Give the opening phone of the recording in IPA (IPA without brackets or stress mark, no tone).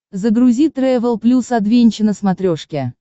z